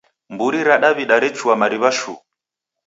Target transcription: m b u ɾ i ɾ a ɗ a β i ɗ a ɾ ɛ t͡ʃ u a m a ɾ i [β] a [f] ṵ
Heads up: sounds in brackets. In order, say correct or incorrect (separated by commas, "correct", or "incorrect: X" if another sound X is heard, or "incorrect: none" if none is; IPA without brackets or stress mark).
correct, incorrect: ʃ